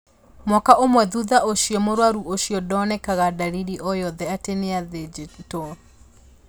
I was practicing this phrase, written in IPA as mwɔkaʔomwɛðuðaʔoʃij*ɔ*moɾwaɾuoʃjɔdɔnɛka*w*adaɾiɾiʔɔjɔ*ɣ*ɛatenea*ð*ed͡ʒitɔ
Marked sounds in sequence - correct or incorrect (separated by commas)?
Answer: correct, incorrect, incorrect, correct